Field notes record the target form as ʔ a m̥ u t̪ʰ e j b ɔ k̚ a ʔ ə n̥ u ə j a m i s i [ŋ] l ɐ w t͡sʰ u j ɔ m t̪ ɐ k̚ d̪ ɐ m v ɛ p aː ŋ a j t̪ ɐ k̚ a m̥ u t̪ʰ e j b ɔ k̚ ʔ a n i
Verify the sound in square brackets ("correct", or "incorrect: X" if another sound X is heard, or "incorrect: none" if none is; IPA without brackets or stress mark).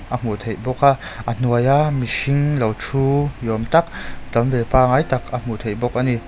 correct